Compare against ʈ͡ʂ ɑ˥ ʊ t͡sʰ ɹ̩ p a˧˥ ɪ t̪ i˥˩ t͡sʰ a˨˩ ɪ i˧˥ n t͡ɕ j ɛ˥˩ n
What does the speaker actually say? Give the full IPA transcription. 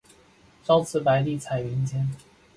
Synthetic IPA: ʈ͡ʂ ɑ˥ ʊ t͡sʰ ɹ̩ p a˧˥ ɪ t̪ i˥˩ t͡sʰ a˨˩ ɪ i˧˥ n t͡ɕ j ɛ˥ n